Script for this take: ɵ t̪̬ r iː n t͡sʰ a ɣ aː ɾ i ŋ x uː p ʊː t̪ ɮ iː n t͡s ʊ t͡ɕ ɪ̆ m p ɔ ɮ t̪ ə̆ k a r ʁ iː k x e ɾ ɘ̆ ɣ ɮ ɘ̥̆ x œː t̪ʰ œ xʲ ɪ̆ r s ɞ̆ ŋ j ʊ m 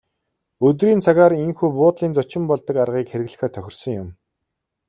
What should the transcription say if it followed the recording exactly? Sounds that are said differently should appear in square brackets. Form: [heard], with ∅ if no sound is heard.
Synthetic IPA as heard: ɵ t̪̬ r iː n t͡sʰ a ɣ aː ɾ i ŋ x uː p ʊː t̪ ɮ iː n t͡s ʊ t͡ɕ ɪ̆ m p ɔ ɮ t̪ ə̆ k a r ʁ iː k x e ɾ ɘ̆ ɣ ɮ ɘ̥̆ x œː t̪ʰ œ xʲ ɪ̆ r s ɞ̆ ŋ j ʊ m